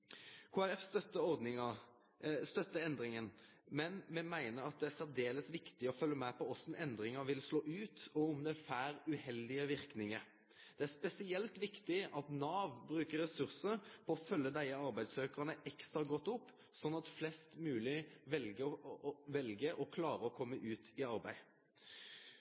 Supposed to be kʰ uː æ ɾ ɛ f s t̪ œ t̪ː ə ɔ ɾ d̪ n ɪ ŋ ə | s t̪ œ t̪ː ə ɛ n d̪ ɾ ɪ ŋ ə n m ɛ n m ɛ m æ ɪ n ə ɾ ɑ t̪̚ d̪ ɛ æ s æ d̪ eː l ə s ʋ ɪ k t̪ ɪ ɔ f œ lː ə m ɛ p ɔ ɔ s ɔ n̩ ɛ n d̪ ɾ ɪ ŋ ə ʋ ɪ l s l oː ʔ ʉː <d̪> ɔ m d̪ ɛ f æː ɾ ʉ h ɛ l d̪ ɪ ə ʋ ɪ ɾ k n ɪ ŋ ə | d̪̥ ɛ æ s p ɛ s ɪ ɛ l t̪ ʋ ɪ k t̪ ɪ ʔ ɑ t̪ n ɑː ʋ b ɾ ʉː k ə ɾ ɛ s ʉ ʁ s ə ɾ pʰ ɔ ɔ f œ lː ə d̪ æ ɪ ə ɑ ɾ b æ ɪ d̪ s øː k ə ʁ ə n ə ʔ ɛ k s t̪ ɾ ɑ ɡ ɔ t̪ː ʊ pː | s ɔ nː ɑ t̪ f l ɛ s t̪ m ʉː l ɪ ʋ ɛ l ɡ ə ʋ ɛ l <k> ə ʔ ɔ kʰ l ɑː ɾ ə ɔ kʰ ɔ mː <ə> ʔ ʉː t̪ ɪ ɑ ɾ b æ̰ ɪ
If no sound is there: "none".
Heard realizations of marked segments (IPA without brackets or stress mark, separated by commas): t̪, ɡ, ə